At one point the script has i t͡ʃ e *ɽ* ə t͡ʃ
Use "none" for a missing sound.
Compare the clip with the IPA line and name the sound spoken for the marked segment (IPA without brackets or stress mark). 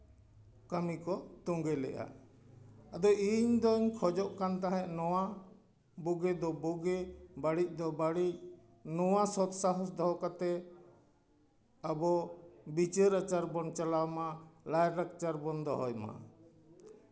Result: ɾ